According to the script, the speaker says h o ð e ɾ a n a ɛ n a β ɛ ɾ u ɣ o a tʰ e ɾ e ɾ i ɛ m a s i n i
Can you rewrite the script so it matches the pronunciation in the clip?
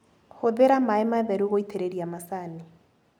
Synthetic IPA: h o ð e ɾ a m a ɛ m a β ɛ ɾ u ɣ o i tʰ e ɾ e ɾ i a m a s a n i